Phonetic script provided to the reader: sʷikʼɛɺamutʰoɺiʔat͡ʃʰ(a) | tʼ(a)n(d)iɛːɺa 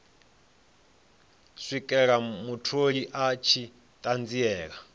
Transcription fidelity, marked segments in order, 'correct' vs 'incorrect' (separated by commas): incorrect, correct, incorrect